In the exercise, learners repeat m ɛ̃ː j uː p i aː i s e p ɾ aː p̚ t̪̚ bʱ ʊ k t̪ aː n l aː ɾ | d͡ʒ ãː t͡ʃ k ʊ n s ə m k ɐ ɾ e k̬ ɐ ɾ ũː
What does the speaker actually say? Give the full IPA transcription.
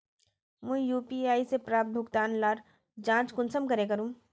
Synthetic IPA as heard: m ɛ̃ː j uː p i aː i s e p ɾ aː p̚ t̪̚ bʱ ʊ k t̪ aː n l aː ɾ | d͡ʒ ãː t͡ʃ k ʊ n s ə m k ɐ ɾ e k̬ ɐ ɾ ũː